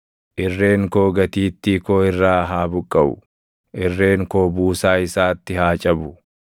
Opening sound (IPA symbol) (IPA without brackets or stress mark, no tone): ʔ